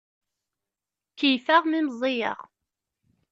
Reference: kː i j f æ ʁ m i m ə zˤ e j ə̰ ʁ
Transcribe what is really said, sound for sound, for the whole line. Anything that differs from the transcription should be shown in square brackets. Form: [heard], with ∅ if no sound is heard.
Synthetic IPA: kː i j f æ ʁ m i m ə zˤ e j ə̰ ʁ